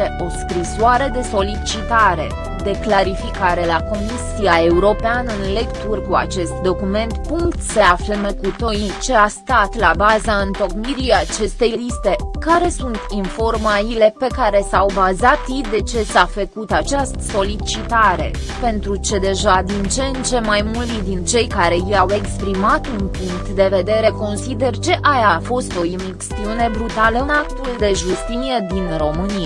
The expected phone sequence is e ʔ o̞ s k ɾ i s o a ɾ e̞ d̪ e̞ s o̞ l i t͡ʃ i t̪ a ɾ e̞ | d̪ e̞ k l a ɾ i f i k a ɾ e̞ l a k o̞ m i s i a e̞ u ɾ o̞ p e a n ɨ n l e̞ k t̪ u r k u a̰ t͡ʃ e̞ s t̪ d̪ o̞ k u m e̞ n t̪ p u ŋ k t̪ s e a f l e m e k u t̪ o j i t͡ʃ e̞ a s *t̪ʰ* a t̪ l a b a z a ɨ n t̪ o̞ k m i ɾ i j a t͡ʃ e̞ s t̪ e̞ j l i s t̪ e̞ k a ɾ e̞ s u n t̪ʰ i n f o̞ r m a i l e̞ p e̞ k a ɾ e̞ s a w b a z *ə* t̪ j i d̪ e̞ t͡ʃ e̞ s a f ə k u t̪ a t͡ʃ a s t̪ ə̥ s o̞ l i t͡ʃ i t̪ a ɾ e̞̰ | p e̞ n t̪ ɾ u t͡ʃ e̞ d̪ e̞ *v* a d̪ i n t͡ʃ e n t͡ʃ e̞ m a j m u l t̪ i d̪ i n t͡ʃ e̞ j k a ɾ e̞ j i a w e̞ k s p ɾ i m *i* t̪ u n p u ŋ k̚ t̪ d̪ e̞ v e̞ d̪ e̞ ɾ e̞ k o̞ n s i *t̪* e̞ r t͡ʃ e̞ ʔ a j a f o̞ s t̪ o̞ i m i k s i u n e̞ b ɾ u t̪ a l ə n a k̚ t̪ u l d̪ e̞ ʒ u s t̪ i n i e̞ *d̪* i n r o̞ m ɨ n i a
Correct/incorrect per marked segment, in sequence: incorrect, incorrect, incorrect, incorrect, incorrect, correct

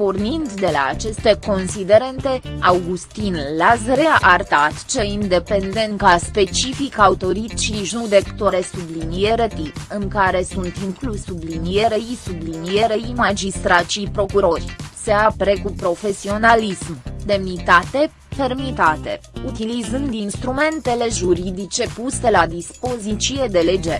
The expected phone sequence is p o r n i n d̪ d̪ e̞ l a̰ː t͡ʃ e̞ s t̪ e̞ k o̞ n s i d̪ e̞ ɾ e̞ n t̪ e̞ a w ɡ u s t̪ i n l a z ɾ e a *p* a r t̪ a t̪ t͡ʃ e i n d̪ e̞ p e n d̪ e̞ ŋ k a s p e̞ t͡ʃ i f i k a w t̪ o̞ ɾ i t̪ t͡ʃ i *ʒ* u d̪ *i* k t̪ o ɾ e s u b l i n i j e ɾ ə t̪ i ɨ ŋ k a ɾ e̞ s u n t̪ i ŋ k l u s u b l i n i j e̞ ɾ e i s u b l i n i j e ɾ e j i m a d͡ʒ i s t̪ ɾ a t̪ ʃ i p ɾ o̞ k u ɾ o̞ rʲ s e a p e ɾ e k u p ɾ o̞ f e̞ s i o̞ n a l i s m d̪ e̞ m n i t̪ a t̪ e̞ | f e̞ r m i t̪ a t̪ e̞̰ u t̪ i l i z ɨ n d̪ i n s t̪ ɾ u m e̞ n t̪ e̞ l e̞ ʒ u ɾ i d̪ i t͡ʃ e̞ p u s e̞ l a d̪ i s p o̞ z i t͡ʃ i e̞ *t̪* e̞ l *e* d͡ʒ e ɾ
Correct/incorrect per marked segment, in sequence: incorrect, correct, incorrect, incorrect, correct

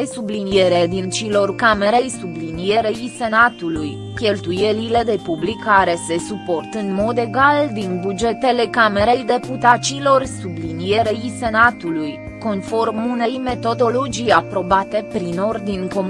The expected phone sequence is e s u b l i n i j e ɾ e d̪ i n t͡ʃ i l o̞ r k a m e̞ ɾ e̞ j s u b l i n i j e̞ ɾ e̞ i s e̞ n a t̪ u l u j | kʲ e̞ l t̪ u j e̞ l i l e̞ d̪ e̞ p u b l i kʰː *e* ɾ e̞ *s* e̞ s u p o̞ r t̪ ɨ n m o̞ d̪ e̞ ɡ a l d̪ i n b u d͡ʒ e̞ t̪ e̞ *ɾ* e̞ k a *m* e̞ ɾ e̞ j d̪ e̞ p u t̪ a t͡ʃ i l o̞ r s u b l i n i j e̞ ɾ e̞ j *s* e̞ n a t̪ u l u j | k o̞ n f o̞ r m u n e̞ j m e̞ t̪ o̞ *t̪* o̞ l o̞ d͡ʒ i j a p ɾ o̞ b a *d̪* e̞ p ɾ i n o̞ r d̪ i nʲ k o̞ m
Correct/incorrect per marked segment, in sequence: incorrect, correct, incorrect, correct, correct, incorrect, incorrect

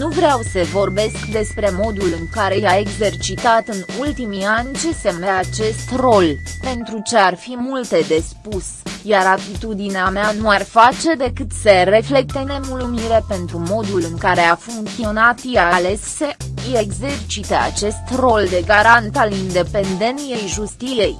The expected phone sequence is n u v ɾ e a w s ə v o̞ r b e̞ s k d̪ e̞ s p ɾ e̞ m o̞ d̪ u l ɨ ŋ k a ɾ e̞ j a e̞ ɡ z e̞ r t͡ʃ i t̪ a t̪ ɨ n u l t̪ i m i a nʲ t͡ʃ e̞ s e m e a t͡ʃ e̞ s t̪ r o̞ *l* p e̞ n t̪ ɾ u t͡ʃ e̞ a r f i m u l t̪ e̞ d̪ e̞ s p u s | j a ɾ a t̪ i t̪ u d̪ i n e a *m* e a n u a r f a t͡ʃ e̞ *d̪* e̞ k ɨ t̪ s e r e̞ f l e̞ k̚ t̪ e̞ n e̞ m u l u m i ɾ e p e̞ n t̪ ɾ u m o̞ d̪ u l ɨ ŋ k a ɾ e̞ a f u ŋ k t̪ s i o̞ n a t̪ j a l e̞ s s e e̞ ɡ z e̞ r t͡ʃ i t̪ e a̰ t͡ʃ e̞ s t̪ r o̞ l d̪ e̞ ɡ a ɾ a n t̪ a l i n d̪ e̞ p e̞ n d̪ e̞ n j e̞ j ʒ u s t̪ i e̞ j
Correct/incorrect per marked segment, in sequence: correct, correct, correct

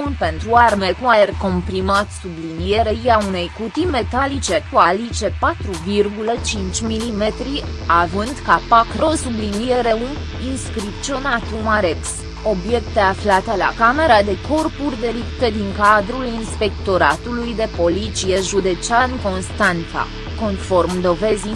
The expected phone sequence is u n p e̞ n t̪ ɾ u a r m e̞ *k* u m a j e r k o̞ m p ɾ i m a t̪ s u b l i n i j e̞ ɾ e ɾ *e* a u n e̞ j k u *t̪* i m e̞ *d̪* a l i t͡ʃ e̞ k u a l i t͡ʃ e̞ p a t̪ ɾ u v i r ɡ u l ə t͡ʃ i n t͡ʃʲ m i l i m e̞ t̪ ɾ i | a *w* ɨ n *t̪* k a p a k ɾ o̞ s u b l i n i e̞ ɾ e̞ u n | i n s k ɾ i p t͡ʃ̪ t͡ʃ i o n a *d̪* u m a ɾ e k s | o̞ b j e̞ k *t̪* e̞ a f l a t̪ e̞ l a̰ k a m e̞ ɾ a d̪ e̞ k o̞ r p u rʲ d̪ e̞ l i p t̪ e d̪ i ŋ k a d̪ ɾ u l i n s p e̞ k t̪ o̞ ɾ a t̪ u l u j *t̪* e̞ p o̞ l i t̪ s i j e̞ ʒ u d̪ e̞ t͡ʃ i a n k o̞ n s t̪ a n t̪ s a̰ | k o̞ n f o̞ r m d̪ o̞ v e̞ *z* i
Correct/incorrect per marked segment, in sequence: correct, incorrect, correct, incorrect, incorrect, incorrect, incorrect, correct, incorrect, correct

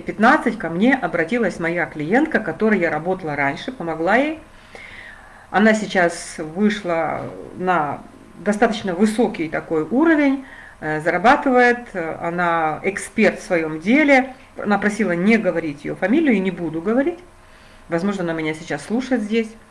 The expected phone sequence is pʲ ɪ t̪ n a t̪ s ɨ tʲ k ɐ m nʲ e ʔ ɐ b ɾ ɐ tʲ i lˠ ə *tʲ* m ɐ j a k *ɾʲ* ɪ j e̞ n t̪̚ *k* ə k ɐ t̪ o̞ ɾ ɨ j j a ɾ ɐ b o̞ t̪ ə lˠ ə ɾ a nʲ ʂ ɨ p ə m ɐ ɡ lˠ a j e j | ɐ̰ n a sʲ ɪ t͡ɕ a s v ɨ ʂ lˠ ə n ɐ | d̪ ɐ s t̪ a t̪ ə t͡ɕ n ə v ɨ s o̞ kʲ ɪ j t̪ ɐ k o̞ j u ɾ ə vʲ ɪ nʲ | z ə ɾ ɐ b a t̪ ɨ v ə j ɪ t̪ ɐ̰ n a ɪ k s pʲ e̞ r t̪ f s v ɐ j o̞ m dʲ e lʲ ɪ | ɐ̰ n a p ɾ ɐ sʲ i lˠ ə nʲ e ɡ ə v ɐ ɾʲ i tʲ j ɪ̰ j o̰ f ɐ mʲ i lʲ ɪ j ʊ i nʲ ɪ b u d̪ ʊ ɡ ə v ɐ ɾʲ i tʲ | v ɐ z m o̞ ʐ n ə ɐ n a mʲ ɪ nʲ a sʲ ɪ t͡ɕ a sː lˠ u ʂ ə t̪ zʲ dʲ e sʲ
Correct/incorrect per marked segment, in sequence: incorrect, incorrect, correct

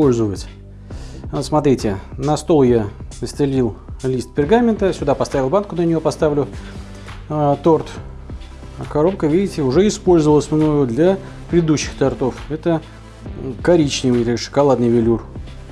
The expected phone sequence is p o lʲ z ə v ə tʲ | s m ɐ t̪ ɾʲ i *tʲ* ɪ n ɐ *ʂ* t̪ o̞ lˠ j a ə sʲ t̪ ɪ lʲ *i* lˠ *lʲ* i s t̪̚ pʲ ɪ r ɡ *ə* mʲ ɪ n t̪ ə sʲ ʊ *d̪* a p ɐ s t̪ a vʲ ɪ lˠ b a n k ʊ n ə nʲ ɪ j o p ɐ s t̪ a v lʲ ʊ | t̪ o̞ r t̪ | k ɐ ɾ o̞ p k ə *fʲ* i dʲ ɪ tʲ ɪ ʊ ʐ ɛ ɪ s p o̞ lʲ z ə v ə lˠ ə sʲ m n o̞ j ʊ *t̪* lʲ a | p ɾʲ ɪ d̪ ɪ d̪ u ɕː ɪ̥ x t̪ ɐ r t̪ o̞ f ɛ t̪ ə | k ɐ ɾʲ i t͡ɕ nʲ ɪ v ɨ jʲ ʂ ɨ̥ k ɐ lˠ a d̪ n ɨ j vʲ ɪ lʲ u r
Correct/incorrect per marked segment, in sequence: correct, incorrect, correct, correct, incorrect, correct, incorrect, incorrect

